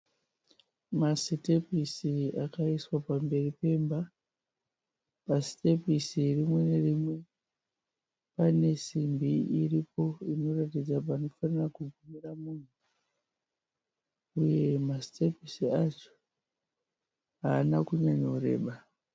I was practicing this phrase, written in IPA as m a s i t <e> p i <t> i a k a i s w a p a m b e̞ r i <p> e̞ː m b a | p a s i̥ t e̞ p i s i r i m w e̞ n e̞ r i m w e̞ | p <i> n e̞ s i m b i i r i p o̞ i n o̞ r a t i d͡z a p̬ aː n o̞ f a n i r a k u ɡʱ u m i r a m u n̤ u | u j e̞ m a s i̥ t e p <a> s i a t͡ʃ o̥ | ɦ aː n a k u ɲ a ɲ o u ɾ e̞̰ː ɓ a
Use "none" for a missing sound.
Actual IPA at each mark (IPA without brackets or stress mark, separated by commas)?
e, s, p, a, i